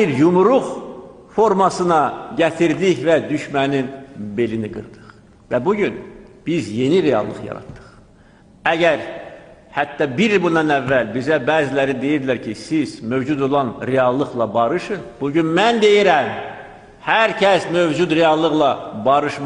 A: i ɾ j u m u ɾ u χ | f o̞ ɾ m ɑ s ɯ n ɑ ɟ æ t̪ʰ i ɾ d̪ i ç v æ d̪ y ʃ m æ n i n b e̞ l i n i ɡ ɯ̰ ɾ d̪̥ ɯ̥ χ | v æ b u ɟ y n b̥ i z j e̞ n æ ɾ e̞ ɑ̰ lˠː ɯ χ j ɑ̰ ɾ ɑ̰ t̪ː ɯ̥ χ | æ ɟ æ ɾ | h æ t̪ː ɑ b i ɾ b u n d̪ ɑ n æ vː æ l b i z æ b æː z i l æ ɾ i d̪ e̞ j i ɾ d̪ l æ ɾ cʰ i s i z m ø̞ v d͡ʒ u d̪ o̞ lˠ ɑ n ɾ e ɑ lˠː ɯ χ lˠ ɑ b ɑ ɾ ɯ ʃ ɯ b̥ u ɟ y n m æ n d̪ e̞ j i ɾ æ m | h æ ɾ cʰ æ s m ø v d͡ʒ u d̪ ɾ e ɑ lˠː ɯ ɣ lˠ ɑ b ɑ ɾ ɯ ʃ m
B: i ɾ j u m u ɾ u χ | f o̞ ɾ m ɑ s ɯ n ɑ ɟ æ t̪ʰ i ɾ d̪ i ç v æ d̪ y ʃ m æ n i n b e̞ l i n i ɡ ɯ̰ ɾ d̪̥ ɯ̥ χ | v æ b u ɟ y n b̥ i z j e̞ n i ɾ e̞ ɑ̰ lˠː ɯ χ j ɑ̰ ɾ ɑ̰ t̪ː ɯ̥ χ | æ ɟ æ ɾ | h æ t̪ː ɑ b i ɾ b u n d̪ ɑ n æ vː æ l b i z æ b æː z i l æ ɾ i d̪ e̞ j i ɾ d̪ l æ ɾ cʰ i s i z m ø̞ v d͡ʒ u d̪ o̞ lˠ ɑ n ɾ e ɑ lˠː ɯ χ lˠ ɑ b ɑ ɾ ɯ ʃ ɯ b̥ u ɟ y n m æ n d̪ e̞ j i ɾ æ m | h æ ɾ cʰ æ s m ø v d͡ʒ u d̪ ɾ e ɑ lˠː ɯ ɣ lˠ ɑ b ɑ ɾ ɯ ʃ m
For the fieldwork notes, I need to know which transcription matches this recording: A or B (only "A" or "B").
B